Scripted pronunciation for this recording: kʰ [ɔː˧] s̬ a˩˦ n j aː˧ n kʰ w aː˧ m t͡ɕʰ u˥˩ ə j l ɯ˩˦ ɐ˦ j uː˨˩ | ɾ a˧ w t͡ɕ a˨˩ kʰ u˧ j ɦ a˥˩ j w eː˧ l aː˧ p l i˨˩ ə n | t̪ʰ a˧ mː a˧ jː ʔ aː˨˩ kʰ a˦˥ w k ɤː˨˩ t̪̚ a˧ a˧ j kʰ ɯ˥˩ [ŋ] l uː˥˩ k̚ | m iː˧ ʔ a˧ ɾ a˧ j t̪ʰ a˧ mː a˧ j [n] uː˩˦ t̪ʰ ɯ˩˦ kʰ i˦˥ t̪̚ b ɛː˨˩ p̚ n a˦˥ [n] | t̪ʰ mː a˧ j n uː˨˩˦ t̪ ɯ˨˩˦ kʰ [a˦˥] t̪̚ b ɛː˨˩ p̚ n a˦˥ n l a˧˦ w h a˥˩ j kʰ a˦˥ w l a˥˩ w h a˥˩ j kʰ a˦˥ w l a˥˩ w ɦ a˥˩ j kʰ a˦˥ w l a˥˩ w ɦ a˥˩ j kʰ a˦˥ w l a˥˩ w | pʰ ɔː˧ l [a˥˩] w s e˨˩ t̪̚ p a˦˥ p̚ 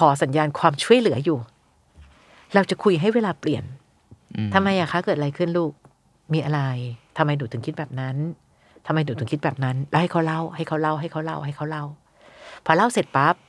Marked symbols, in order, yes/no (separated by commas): no, no, yes, yes, no, yes